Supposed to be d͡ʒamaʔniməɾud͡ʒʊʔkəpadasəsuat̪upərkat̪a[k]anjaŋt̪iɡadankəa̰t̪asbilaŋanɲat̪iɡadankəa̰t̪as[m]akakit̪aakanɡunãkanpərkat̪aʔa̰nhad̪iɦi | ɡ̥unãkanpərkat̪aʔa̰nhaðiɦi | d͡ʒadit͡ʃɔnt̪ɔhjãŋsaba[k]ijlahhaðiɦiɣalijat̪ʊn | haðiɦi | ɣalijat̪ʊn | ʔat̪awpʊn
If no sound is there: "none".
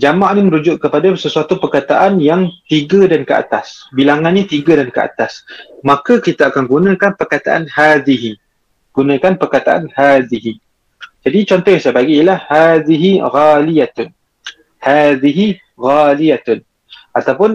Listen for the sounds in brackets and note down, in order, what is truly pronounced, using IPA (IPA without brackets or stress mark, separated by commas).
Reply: ʔ, m, ɡ